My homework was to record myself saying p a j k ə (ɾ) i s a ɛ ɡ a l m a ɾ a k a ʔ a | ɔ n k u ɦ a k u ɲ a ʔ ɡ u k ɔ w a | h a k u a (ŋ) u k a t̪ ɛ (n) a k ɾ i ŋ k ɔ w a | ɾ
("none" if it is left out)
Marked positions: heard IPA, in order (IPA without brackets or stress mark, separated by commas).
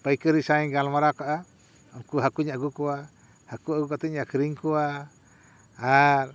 ɾ, ɡ, ɲ